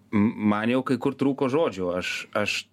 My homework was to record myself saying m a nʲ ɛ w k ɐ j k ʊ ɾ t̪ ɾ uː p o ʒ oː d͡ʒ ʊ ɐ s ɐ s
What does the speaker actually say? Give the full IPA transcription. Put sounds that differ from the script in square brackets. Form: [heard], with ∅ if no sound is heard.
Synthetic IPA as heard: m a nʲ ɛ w k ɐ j k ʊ ɾ t̪ ɾ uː [k] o ʒ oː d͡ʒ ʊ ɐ [ʃ] ɐ [ʃ]